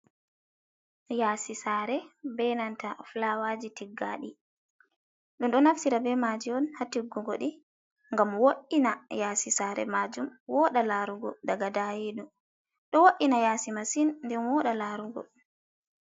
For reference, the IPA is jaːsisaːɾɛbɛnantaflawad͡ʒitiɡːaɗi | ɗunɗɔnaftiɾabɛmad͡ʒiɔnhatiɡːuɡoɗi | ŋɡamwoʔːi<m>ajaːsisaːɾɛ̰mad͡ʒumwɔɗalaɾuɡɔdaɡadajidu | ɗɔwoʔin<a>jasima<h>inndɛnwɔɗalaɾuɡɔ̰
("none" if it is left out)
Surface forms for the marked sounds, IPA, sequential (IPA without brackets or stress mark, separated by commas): n, a, s